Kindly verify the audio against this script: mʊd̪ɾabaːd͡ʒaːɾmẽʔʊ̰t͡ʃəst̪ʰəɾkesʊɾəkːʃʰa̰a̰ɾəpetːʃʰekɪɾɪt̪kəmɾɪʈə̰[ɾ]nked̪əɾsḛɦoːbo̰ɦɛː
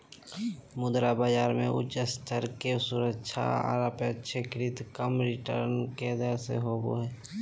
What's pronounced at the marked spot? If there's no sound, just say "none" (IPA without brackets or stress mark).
ɾ